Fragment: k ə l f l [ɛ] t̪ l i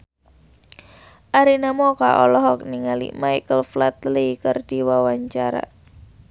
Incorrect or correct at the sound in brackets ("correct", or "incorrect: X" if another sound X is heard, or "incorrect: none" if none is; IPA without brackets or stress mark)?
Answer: incorrect: a